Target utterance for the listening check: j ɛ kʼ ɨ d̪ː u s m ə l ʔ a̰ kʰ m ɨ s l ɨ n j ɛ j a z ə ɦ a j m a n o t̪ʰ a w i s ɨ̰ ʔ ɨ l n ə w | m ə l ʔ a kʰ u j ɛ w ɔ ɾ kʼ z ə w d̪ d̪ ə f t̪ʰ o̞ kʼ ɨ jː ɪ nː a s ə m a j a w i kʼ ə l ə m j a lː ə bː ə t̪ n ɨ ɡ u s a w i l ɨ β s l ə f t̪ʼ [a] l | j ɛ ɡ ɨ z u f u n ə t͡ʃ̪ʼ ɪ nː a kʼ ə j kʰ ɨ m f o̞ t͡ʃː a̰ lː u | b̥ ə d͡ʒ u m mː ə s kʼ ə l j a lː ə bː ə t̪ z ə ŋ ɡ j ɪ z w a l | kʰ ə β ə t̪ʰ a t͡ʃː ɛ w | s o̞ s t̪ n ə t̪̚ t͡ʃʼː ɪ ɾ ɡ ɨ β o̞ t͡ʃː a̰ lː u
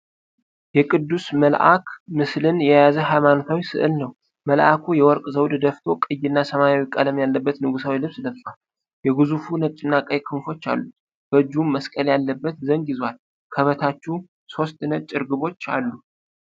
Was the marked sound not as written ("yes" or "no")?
no